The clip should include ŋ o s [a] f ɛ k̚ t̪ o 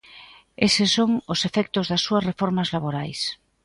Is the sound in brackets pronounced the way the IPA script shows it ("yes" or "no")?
no